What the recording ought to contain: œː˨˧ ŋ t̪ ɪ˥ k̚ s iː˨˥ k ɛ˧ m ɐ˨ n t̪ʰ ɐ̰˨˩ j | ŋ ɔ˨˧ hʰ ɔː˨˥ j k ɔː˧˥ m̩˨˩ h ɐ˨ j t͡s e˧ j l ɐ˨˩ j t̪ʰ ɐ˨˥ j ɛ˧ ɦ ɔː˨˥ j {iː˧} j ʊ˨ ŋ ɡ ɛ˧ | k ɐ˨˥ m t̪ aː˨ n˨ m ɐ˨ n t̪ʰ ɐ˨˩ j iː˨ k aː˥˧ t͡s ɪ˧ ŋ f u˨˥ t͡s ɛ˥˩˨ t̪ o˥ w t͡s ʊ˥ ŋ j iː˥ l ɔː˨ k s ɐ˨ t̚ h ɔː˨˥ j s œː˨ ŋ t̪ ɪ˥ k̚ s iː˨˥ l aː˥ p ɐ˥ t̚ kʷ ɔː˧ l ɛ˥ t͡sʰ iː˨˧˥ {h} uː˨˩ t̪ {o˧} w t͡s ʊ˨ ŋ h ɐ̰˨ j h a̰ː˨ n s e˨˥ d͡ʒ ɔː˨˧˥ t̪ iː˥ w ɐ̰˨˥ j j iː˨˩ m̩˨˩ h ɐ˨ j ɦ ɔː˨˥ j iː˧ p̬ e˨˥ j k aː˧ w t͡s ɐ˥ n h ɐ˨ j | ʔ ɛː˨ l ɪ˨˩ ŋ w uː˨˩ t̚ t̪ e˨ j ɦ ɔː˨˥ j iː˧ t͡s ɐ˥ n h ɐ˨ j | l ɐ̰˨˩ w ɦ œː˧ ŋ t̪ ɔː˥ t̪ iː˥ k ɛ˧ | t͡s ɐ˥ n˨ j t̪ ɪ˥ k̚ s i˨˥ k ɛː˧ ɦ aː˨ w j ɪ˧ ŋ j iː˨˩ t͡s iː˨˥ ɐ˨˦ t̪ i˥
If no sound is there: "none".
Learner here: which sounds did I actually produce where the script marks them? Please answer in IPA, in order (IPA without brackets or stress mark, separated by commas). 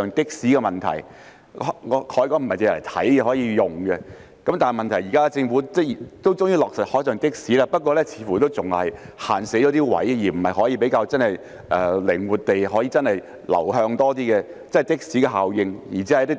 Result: iː˧, f, o˥